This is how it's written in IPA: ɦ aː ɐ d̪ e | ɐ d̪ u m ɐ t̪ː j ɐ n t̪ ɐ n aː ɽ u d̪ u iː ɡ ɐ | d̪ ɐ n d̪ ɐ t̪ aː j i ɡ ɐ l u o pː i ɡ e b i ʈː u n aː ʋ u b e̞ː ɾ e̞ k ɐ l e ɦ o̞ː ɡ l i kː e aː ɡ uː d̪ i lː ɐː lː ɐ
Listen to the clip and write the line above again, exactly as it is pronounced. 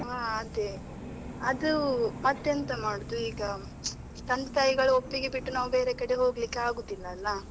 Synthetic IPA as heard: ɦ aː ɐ d̪ e | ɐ d̪ u m ɐ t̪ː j ɐ n t̪ ɐ m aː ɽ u d̪ u iː ɡ ɐ | t̪ ɐ n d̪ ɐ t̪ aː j i ɡ ɐ ɭ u o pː i ɡ e b i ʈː u n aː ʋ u b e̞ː ɾ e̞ k ɐ ɽ e ɦ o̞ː ɡ l i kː e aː ɡ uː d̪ i lː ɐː lː ɐ